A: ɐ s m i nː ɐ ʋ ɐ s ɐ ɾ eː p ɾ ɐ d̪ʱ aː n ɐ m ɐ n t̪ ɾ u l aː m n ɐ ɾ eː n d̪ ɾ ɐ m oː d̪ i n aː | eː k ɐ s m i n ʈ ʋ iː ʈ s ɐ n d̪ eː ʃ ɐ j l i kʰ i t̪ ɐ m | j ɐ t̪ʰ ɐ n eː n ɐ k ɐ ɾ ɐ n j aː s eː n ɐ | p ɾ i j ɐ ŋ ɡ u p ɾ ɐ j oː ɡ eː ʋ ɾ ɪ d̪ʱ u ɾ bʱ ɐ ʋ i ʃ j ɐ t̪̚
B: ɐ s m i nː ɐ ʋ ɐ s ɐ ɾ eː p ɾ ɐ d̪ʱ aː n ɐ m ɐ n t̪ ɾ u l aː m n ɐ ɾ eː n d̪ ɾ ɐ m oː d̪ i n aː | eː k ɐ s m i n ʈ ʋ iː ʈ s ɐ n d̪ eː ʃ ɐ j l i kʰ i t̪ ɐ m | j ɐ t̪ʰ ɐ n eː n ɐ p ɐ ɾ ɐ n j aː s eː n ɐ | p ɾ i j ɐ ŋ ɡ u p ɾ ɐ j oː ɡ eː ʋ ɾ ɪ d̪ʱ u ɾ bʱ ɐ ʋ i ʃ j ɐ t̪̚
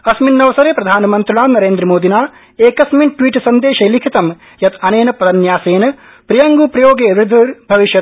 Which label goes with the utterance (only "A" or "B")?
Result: B